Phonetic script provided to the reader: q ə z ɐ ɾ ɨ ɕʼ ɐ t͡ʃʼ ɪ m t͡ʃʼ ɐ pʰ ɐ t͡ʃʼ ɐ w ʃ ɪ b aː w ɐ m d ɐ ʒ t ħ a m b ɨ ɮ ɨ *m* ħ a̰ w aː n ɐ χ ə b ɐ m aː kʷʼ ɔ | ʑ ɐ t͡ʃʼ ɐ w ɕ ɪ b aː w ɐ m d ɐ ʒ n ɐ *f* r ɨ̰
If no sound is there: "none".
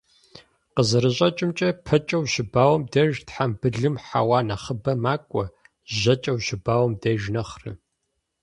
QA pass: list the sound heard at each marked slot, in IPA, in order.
m, χ

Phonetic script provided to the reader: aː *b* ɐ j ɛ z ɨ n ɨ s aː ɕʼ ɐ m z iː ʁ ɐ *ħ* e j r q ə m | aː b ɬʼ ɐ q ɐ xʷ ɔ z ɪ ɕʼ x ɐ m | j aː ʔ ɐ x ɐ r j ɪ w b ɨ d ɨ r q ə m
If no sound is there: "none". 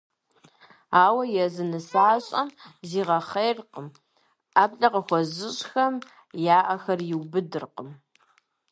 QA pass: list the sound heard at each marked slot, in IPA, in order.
w, χ

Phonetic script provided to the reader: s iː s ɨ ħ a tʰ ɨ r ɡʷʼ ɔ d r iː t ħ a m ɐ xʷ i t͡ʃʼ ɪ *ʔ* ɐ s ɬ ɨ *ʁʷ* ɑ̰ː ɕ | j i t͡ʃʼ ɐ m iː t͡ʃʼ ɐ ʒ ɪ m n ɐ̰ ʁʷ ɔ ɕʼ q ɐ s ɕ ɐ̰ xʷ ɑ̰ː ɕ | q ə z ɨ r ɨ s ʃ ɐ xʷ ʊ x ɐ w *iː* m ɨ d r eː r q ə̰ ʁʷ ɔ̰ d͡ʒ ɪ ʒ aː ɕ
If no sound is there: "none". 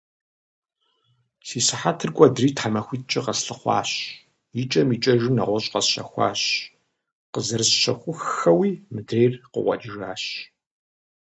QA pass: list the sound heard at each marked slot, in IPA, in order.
q, χʷ, iː

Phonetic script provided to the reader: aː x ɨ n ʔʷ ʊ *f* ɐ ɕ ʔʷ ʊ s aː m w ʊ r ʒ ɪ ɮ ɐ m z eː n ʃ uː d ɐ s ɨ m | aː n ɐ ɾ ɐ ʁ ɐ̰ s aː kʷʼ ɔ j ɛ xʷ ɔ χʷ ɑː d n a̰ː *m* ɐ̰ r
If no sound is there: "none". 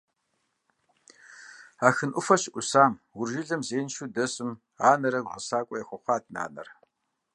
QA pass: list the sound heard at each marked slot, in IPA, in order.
f, n

